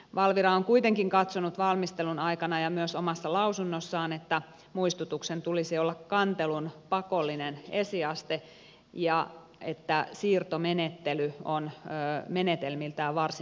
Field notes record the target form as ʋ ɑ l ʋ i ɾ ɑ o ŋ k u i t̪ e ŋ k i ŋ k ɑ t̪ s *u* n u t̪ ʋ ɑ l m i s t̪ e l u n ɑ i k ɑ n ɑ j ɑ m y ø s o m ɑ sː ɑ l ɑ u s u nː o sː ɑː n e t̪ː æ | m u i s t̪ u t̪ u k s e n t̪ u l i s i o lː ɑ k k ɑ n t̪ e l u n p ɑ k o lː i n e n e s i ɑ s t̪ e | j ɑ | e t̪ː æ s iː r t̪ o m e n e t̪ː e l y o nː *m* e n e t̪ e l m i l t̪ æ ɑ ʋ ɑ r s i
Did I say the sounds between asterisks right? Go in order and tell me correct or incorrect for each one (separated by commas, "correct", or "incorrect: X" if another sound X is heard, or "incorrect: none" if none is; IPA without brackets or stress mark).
incorrect: o, correct